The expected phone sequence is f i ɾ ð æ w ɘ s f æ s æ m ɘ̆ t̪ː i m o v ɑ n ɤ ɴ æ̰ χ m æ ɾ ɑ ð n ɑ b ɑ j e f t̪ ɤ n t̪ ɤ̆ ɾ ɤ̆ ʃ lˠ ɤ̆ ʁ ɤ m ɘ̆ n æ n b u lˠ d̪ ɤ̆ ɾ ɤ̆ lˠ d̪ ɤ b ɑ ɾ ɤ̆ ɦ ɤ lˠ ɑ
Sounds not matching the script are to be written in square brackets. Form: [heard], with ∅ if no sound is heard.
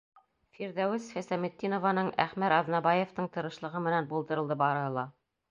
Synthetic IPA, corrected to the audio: f i ɾ ð æ w ɘ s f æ s æ m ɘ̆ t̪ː i [n] o v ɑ n ɤ ɴ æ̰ χ m æ ɾ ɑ ð n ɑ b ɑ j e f t̪ ɤ [ɴ] t̪ ɤ̆ ɾ ɤ̆ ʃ lˠ ɤ̆ ʁ ɤ m ɘ̆ n æ n b u lˠ d̪ ɤ̆ ɾ ɤ̆ lˠ d̪ ɤ b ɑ ɾ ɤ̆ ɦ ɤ lˠ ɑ